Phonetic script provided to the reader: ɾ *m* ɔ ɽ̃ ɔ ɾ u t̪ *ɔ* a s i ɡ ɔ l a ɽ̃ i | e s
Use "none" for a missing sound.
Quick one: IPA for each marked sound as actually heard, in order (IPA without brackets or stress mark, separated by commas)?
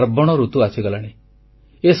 b, u